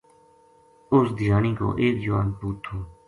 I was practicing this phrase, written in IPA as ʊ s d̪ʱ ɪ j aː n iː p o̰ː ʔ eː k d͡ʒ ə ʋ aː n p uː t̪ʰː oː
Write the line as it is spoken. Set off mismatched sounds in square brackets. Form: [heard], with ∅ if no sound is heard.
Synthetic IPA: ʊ s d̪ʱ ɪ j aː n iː [k] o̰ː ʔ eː k d͡ʒ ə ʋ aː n p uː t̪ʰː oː

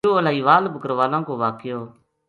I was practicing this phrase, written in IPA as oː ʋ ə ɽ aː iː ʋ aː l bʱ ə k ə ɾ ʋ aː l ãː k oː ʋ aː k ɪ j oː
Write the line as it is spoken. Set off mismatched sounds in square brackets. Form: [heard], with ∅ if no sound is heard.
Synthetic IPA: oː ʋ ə [l] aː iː ʋ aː l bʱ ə k ə ɾ ʋ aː l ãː k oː ʋ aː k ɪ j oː

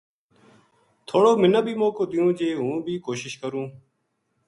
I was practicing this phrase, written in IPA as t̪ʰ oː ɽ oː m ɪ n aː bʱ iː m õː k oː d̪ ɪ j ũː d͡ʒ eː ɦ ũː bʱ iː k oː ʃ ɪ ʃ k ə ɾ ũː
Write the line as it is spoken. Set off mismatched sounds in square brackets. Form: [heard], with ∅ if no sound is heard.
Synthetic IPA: t̪ʰ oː ɽ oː m ɪ n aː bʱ iː m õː k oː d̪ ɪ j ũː d͡ʒ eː ɦ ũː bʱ iː k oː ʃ ɪ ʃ k ə ɾ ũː

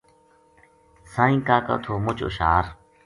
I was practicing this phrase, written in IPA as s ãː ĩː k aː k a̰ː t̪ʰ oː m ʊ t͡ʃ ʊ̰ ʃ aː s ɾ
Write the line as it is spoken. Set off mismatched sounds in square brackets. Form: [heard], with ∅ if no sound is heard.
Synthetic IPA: s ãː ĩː k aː k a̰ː t̪ʰ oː m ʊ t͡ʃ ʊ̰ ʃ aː [∅] ɾ

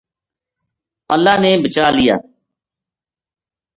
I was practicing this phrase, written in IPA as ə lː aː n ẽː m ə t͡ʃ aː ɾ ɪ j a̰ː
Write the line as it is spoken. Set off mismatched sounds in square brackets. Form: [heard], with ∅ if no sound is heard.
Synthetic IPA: ə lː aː n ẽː [b] ə t͡ʃ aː [l] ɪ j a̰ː

